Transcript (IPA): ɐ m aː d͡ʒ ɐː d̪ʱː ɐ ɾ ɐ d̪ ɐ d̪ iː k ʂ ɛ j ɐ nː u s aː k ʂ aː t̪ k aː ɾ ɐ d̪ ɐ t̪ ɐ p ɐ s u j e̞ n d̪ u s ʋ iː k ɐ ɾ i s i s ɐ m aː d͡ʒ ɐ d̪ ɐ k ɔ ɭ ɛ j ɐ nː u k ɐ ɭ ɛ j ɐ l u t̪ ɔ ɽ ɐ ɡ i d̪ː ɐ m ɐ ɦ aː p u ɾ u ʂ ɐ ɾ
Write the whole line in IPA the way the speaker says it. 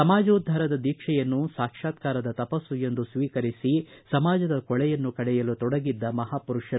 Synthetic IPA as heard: ɐ m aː d͡ʒ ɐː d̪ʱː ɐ ɾ ɐ d̪ ɐ d̪ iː k ʂ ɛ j ɐ nː u s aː k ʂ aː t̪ k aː ɾ ɐ d̪ ɐ t̪ ɐ p ɐ s u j e̞ n d̪ u s ʋ iː k ɐ ɾ i s i s ɐ m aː d͡ʒ ɐ d̪ ɐ k ɔ ɭ ɛ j ɐ nː u k ɐ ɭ ɛ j ɐ l u t̪ ɔ ɽ ɐ ɡ i d̪ː ɐ m ɐ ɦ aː p u ɾ u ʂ ɐ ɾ

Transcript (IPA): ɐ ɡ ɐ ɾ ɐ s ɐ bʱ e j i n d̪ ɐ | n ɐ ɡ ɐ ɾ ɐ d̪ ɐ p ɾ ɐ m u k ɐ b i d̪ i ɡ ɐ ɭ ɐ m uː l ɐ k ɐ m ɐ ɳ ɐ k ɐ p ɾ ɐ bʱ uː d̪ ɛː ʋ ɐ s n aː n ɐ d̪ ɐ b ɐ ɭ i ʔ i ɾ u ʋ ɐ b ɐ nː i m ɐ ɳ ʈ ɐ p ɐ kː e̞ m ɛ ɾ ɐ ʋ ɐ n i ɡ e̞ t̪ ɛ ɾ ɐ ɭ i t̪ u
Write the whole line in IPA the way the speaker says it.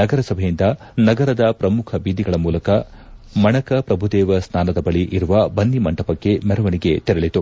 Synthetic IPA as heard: ɐ ɡ ɐ ɾ ɐ s ɐ bʱ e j i n d̪ ɐ | n ɐ ɡ ɐ ɾ ɐ d̪ ɐ p ɾ ɐ m u kʰ ɐ b i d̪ i ɡ ɐ ɭ ɐ m uː l ɐ k ɐ m ɐ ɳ ɐ k ɐ p ɾ ɐ bʱ u d̪ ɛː ʋ ɐ s n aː n ɐ d̪ ɐ b ɐ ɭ i ʔ i ɾ u ʋ ɐ b ɐ nː i m ɐ ɳ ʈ ɐ p ɐ kː e̞ m ɛ ɾ ɐ ʋ ɐ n i ɡ e̞ t̪ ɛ ɾ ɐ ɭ i t̪ u

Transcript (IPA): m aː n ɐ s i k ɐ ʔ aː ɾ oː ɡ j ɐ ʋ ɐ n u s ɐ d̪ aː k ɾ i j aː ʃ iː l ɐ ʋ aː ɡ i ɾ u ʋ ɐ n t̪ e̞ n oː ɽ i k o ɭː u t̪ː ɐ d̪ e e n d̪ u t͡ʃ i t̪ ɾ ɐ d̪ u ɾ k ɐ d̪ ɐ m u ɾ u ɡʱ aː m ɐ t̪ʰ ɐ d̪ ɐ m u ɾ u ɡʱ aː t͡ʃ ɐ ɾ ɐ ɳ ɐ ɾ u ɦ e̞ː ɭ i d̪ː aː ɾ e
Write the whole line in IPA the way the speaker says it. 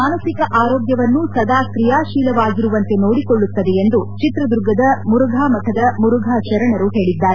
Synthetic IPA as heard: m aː n ɐ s i k ɐ ʔ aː ɾ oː ɡ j ɐ ʋ ɐ nː u s ɐ d̪ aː k ɾ i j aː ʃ iː l ɐ ʋ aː ɡ i ɾ u ʋ ɐ n t̪ e̞ n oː ɽ i k o ɭː u t̪ː ɐ d̪ e e n d̪ u t͡ʃ i t̪ ɾ ɐ d̪ u ɾ ɡ ɐ d̪ ɐ m u ɾ u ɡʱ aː m ɐ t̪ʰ ɐ d̪ ɐ m u ɾ u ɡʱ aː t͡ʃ ɐ ɾ ɐ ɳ ɐ ɾ u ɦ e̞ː ɭ i d̪ː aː ɾ e

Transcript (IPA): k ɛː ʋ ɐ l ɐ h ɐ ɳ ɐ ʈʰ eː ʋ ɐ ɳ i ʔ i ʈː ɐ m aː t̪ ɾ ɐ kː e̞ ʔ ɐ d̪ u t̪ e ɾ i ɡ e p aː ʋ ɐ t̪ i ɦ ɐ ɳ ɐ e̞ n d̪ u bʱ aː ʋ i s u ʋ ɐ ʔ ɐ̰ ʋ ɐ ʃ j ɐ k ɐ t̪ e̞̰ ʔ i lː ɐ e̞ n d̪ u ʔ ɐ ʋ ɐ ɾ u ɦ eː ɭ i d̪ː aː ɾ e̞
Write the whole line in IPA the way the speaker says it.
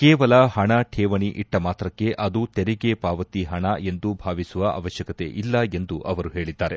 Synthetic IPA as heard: k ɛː ʋ ɐ l ɐ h ɐ ɳ ɐ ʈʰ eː ʋ ɐ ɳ i ʔ i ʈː ɐ m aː t̪ ɾ ɐ kː e̞ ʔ ɐ d̪ u t̪ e ɾ i ɡ e p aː ʋ ɐ t̪ i ɦ ɐ ɳ ɐ e̞ n d̪ u bʱ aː ʋ i s u ʋ ɐ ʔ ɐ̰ ʋ ɐ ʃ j ɐ k ɐ t̪ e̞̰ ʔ i lː ɐ e̞ n d̪ u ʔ ɐ ʋ ɐ ɾ u ɦ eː ɭ i d̪ː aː ɾ e̞

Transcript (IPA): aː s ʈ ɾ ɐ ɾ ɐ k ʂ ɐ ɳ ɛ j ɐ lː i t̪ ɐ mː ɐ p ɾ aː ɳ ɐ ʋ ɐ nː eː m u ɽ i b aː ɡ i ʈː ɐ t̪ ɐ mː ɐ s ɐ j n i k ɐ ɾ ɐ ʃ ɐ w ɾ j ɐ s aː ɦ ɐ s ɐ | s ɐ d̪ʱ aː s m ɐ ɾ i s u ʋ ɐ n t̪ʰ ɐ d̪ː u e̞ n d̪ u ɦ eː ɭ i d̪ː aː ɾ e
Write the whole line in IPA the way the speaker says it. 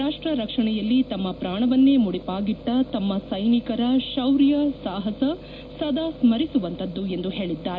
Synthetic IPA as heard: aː ʂ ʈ ɾ ɐ ɾ ɐ k ʂ ɐ ɳ ɛ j ɐ lː i t̪ ɐ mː ɐ p ɾ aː ɳ ɐ ʋ ɐ nː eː m u ɽ i p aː ɡ i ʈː ɐ t̪ ɐ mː ɐ s ɐ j n i k ɐ ɾ ɐ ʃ ɐ w ɾ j ɐ s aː ɦ ɐ s ɐ | s ɐ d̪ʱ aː s m ɐ ɾ i s u ʋ ɐ n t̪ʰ ɐ d̪ː u e̞ n d̪ u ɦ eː ɭ i d̪ː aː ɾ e

